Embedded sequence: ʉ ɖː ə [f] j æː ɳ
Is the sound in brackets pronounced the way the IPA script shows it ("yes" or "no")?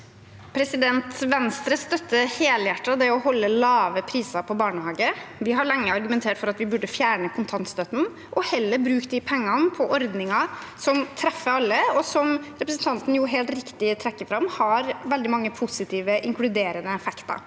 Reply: yes